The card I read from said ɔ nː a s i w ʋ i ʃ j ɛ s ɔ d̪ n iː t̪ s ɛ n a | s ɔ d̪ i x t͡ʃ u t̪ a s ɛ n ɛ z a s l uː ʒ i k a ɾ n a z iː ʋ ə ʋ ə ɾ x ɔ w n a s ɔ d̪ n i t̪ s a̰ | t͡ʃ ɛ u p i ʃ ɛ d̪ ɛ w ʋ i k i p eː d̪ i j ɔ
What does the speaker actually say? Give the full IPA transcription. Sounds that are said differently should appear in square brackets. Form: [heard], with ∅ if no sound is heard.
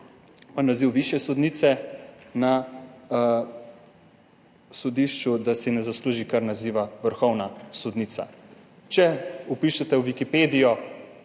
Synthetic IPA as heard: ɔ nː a [z] i w ʋ i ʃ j ɛ s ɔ d̪ n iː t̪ s ɛ n a | s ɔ d̪ i [ʃ] t͡ʃ u [d̪] a s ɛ n ɛ z a s l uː ʒ i k a ɾ n a z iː ʋ [a] ʋ ə ɾ x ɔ w n a s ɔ d̪ n i t̪ s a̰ | t͡ʃ ɛ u p i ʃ ɛ [t̪] ɛ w ʋ i k i p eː d̪ i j ɔ

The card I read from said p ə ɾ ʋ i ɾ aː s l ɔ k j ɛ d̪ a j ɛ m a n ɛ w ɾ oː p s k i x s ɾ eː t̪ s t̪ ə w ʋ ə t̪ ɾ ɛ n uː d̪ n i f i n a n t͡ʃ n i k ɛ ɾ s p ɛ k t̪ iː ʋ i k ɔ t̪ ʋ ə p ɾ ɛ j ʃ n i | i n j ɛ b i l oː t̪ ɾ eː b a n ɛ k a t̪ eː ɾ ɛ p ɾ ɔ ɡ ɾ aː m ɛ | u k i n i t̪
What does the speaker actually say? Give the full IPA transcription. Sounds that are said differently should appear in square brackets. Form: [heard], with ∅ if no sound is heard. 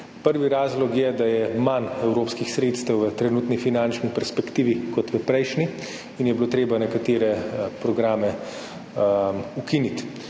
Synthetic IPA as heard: p ə ɾ ʋ i ɾ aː [z] l ɔ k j ɛ d̪ a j ɛ m a n ɛ w ɾ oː p s k i x s ɾ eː t̪ s t̪ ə w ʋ ə t̪ ɾ ɛ n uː [t̪] n i f i n a n t͡ʃ n i [p] ɛ ɾ s p ɛ k t̪ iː ʋ i k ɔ t̪ ʋ ə p ɾ ɛ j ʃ n i | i n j ɛ b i l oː t̪ ɾ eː b a n ɛ k a t̪ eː ɾ ɛ p ɾ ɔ ɡ ɾ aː m ɛ | u k i n i t̪

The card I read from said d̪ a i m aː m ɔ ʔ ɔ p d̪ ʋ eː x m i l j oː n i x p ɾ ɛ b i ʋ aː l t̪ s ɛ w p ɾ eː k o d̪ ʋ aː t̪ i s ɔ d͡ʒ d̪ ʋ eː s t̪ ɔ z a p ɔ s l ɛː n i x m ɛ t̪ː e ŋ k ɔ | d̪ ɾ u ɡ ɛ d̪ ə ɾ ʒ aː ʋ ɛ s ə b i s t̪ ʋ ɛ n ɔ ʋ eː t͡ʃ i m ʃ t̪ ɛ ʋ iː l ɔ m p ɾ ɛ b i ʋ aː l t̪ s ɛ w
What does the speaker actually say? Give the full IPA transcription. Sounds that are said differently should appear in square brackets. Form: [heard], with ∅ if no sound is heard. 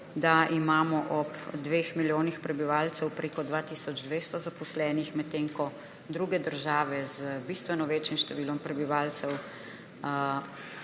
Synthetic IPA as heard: d̪ a i m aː m ɔ ʔ ɔ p d̪ ʋ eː x m i l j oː n i x p ɾ ɛ b i ʋ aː l t̪ s ɛ w p ɾ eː k [ɔ] d̪ ʋ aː t̪ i s ɔ d͡ʒ d̪ ʋ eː s t̪ ɔ z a p ɔ s l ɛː n i x m ɛ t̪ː e ŋ k ɔ | d̪ ɾ u ɡ ɛ d̪ ə ɾ ʒ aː ʋ ɛ [z] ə b i s t̪ ʋ ɛ n ɔ ʋ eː t͡ʃ i m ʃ t̪ ɛ ʋ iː l ɔ m p ɾ ɛ b i ʋ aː l t̪ s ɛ w

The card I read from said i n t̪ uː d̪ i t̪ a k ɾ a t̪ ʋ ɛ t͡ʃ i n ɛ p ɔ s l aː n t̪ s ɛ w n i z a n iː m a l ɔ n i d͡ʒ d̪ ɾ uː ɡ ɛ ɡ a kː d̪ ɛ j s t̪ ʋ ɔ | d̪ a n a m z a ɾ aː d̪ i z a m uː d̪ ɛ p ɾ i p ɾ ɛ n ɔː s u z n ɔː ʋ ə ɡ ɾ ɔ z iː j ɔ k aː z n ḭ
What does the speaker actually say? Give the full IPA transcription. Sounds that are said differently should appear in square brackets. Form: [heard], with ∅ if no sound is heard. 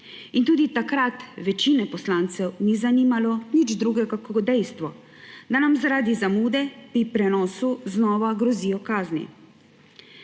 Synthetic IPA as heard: i n t̪ uː d̪ i t̪ a k ɾ a t̪ ʋ ɛ t͡ʃ i n ɛ p ɔ s l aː n t̪ s ɛ w n i z a n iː m a l ɔ n i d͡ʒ d̪ ɾ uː ɡ ɛ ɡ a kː d̪ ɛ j s t̪ ʋ ɔ | d̪ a n a m z a ɾ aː d̪ i z a m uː d̪ ɛ p ɾ i p ɾ ɛ n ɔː s u z n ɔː ʋ [a] ɡ ɾ ɔ z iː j ɔ k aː z n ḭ

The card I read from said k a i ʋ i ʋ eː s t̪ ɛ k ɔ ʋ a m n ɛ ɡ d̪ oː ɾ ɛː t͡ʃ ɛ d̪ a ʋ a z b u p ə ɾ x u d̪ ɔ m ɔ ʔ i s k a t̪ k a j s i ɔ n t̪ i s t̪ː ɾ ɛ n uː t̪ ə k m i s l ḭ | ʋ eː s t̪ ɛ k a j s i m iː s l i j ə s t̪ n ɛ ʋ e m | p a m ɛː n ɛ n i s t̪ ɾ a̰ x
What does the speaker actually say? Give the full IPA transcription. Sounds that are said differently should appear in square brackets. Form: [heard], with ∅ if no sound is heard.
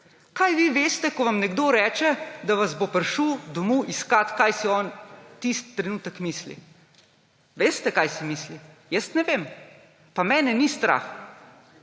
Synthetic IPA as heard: k a [j] ʋ i ʋ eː s t̪ ɛ k ɔ ʋ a m n ɛ ɡ d̪ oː ɾ ɛː t͡ʃ ɛ d̪ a ʋ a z b [o] p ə ɾ [ʃ] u d̪ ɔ m [u] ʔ i s k a t̪ k a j s i ɔ n t̪ i s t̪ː ɾ ɛ n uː t̪ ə k m i s l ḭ | ʋ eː s t̪ ɛ k a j s i m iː s l i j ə s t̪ n ɛ ʋ e m | p a m ɛː n ɛ n i s t̪ ɾ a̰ x

